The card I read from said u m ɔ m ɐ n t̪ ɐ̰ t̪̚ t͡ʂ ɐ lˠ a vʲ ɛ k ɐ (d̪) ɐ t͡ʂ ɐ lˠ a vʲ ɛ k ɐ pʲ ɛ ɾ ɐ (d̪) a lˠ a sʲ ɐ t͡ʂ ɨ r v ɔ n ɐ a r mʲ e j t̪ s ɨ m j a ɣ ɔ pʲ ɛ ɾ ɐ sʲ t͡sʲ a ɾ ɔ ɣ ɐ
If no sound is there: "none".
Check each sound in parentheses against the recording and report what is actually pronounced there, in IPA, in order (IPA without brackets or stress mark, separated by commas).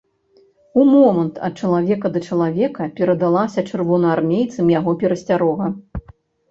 d̪, d̪